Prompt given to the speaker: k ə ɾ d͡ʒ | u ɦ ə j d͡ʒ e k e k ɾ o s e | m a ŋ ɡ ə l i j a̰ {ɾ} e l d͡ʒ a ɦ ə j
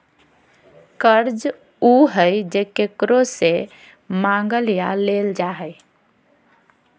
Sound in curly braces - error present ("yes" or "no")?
yes